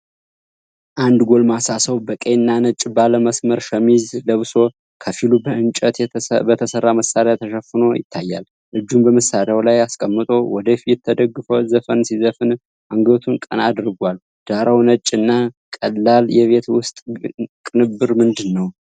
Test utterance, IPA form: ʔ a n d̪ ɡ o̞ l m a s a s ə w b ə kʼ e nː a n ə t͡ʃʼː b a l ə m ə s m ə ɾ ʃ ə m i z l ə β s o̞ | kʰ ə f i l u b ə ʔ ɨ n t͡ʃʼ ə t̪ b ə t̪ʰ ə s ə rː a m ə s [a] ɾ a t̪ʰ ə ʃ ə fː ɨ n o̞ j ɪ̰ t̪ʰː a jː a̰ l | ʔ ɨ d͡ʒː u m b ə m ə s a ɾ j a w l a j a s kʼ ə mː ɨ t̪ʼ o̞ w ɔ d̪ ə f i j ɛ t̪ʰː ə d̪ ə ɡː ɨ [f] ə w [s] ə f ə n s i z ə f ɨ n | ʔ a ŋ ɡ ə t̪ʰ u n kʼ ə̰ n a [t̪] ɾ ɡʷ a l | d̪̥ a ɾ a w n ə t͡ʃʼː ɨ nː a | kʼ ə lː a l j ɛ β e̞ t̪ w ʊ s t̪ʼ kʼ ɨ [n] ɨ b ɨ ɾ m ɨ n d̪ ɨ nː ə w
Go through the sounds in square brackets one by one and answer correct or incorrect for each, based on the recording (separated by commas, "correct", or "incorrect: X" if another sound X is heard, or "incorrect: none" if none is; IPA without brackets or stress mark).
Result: correct, correct, incorrect: z, incorrect: d̪, correct